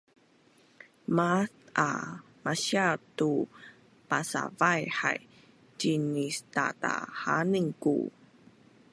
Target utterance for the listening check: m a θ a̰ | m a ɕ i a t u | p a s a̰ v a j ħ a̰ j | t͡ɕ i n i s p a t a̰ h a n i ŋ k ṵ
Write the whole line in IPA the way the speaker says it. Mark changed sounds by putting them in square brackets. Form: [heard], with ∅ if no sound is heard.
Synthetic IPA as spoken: m a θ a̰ | m a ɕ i a t u | p a s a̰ v a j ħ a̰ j | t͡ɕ i n i s [t] a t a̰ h a n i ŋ k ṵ